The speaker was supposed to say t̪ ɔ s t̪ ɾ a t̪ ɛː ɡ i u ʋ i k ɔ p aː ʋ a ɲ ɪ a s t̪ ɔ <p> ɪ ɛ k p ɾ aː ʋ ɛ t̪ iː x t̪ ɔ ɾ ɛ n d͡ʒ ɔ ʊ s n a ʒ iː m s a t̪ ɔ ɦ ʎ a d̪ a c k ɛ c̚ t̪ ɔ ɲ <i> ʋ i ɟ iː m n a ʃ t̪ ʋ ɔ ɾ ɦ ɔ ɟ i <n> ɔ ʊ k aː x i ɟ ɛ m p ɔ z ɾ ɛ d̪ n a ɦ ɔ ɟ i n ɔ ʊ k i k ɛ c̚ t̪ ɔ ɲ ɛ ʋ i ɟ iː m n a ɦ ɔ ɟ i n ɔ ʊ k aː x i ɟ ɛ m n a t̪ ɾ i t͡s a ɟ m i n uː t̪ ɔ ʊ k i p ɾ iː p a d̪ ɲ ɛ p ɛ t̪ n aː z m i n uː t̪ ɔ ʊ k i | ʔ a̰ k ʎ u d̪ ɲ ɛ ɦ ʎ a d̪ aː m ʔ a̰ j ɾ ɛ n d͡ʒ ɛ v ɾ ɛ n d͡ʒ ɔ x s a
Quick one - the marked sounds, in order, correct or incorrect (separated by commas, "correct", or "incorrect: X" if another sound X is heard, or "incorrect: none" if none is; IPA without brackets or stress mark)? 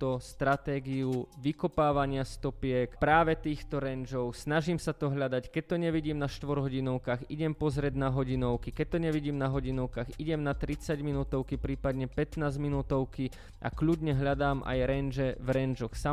correct, incorrect: ɛ, correct